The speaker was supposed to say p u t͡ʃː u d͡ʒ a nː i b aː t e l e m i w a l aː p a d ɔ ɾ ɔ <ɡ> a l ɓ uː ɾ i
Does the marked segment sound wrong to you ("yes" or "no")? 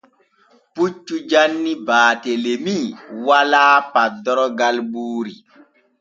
no